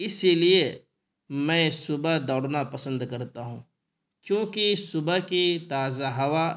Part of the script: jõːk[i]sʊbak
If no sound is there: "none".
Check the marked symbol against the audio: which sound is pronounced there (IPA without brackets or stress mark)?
i